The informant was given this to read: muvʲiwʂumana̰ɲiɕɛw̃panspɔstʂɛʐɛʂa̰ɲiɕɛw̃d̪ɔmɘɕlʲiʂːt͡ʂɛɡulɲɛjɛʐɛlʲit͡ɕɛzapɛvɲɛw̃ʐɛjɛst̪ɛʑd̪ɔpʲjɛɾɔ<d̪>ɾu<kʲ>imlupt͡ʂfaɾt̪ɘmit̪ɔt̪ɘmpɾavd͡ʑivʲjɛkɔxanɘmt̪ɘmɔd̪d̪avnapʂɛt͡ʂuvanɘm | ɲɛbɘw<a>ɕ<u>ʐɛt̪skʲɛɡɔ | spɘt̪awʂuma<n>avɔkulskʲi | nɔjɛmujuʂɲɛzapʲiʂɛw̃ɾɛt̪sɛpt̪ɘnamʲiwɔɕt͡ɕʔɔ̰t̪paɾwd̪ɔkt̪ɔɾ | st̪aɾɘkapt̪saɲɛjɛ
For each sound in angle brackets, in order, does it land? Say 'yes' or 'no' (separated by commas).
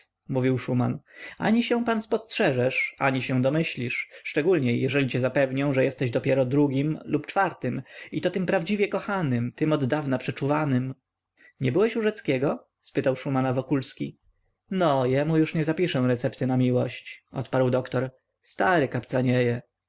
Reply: yes, no, no, yes, yes